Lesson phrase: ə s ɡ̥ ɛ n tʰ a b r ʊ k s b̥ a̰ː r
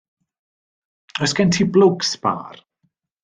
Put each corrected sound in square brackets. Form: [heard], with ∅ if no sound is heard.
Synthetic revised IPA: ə s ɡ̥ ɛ n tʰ [i] b [l] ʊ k s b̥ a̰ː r